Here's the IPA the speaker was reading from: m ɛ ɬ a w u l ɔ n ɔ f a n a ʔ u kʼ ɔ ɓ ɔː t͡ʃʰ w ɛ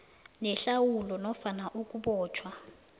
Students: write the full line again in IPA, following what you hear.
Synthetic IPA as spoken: n ɛ ɬ a w u l ɔ n ɔ f a n a ʔ u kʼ u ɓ ɔː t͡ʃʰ w a